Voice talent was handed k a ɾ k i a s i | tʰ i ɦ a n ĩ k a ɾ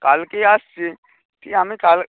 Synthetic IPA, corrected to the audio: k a l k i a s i | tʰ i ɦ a m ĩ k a l